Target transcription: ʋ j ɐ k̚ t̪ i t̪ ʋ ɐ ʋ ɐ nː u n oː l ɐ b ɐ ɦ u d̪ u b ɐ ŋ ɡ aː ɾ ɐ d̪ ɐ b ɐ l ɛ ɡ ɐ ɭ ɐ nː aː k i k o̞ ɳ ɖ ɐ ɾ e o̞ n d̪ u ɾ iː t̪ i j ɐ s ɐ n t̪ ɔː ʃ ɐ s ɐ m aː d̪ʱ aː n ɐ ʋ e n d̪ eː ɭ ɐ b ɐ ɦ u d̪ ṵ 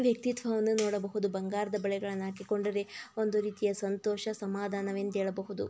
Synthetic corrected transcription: ʋ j ɐ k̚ t̪ i t̪ ʋ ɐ ʋ ɐ nː u n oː ɽ ɐ b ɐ ɦ u d̪ u b ɐ ŋ ɡ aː ɾ ɐ d̪ ɐ b ɐ ɭ ɛ ɡ ɐ ɭ ɐ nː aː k i k o̞ ɳ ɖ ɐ ɾ e o̞ n d̪ u ɾ iː t̪ i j ɐ s ɐ n t̪ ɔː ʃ ɐ s ɐ m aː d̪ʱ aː n ɐ ʋ e n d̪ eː ɭ ɐ b ɐ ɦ u d̪ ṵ